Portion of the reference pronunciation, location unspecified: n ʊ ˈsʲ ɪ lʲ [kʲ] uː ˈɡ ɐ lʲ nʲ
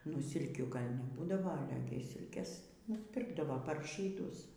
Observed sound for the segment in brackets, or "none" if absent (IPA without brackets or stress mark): kʲ